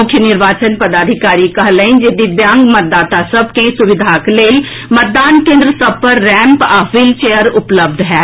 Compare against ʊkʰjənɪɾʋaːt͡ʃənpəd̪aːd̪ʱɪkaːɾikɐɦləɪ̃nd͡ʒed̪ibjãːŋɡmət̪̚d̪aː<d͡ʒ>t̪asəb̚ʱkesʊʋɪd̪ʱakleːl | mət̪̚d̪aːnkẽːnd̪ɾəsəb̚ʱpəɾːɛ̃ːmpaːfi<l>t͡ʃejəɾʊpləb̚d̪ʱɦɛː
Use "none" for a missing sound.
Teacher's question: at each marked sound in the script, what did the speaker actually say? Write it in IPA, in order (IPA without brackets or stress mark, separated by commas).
none, l